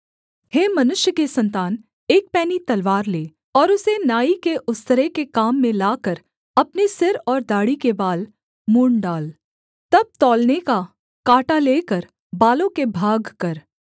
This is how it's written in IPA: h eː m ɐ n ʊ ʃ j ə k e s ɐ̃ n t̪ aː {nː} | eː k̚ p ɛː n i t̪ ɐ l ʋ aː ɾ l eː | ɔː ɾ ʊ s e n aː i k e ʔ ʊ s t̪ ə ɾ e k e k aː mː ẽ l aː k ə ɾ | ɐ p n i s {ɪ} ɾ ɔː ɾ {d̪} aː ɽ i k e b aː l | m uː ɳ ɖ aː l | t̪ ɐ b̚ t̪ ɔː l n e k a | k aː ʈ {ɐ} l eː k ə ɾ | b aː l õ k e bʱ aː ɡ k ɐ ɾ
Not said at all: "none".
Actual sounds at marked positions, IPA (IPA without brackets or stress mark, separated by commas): n, ɪ, d̪, a